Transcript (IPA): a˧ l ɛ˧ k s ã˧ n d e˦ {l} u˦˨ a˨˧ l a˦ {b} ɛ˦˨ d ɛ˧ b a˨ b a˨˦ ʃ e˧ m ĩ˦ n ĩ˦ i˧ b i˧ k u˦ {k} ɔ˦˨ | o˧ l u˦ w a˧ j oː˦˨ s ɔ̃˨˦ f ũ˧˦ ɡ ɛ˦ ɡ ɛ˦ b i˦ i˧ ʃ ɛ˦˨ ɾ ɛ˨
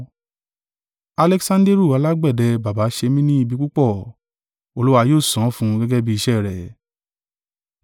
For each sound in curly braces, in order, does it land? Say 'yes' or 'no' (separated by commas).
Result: no, no, no